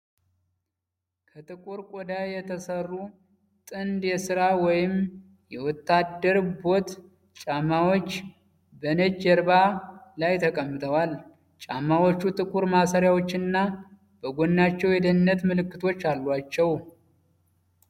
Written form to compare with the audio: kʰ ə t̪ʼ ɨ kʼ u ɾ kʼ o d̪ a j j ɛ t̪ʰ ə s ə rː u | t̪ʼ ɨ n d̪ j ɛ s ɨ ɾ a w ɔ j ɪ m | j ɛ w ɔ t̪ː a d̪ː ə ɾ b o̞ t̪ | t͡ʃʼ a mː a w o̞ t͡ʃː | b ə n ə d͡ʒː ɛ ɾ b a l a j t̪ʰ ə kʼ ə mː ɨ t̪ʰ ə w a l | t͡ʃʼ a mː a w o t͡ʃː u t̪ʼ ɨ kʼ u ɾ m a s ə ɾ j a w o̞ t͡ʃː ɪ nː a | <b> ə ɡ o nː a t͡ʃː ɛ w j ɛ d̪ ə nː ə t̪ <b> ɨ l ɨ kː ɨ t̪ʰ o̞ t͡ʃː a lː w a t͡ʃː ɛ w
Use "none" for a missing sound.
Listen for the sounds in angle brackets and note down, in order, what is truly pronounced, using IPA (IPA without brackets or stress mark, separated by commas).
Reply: b, m